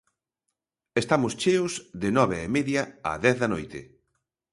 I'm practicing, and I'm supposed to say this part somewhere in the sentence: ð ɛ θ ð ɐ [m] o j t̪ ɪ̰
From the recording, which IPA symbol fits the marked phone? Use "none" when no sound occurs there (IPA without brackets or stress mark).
n